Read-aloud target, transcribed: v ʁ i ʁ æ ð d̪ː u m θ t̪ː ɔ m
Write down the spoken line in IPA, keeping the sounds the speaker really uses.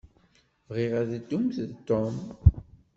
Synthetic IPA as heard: v ʁ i ʁ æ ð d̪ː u m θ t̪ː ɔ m